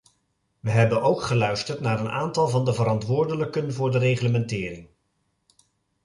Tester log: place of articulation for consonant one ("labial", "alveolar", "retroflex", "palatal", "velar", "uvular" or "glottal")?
labial